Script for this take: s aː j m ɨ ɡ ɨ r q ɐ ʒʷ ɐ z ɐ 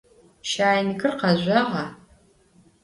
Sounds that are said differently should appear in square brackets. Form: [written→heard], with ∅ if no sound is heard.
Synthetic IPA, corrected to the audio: [s→ʃ] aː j [m→n] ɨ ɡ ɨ r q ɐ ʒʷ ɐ [z→ʁ] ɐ